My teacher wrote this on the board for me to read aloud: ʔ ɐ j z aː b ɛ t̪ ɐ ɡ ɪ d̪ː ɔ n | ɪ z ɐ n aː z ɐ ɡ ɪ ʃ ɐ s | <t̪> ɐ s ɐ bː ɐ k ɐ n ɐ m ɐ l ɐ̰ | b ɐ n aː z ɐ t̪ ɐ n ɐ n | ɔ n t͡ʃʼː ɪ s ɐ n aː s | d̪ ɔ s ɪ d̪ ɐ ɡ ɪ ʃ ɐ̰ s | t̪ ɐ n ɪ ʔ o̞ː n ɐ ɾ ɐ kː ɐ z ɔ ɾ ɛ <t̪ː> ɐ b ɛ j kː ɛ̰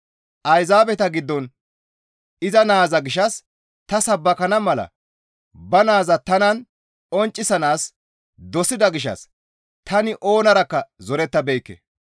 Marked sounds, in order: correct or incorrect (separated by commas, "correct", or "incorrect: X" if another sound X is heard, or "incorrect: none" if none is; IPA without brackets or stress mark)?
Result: correct, correct